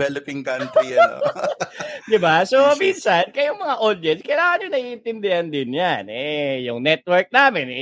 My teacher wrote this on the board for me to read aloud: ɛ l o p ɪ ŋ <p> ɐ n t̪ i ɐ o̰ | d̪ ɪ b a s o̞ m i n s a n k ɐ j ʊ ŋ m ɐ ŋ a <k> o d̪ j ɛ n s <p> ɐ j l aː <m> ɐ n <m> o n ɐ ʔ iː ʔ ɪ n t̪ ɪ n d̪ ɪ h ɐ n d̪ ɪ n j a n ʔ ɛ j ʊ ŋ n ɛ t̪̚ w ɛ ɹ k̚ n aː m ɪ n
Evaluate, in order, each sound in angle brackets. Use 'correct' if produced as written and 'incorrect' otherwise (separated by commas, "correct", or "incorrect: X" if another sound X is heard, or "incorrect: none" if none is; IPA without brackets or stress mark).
incorrect: k, incorrect: ʔ, incorrect: k, incorrect: ŋ, incorrect: ɲ